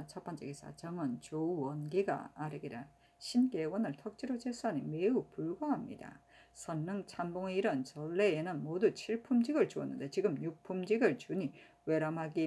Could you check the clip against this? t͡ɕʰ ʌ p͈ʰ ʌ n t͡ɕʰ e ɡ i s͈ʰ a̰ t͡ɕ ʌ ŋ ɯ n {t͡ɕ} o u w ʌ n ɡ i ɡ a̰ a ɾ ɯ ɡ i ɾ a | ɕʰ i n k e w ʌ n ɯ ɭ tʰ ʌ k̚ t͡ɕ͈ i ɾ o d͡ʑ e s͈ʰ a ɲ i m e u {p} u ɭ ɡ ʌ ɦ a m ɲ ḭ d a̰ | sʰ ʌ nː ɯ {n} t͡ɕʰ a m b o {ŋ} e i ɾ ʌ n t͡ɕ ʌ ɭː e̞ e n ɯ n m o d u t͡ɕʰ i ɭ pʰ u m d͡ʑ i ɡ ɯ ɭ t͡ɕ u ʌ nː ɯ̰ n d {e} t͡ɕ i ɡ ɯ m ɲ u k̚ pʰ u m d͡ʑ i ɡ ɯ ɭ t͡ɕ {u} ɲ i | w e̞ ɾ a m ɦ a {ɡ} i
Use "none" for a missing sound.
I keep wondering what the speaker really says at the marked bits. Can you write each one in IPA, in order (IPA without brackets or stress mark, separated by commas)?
t͡ɕ, p, ŋ, ŋ, e, u, ɡ